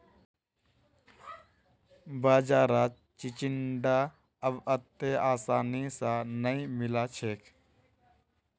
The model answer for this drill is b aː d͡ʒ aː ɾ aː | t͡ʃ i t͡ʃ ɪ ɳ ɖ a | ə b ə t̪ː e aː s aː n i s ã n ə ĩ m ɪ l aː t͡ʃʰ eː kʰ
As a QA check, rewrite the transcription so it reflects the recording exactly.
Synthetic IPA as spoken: b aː d͡ʒ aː ɾ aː | t͡ʃ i t͡ʃ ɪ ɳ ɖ a | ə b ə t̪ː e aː s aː n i s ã n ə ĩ m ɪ l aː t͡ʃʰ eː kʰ